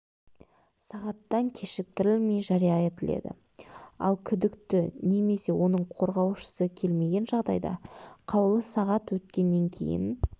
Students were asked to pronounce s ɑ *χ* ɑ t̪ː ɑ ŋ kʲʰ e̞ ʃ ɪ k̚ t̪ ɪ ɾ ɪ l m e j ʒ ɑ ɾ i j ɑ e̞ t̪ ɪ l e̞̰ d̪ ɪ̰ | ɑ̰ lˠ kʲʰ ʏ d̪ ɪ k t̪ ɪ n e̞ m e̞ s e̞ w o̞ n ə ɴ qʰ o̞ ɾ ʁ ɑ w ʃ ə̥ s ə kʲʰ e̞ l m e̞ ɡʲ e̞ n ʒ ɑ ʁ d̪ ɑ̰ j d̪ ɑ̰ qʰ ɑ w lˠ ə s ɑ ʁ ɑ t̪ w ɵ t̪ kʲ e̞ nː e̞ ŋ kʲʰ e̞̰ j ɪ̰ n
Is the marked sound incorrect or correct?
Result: incorrect